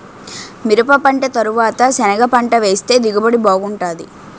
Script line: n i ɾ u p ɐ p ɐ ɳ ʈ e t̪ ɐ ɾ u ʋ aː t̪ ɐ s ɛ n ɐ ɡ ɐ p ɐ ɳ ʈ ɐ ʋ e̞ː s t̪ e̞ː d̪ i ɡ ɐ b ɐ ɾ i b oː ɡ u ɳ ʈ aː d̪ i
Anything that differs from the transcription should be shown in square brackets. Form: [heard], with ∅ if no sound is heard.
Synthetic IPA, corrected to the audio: [m] i ɾ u p ɐ p ɐ ɳ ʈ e t̪ ɐ ɾ u ʋ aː t̪ ɐ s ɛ n ɐ ɡ ɐ p ɐ ɳ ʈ ɐ ʋ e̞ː s t̪ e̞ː d̪ i ɡ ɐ b ɐ [ɽ] i b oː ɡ u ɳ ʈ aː d̪ i